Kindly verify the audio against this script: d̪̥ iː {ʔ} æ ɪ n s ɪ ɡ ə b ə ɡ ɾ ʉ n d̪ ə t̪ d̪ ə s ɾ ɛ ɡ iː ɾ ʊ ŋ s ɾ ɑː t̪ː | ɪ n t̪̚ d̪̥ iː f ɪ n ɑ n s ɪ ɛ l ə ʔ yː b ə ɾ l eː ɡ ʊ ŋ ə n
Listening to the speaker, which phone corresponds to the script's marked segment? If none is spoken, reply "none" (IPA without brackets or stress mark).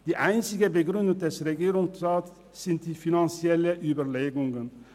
ʔ